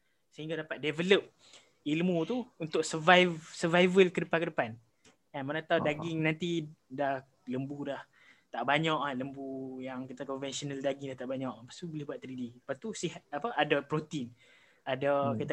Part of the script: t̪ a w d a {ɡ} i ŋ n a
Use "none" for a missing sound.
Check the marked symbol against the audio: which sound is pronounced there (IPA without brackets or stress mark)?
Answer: ɡ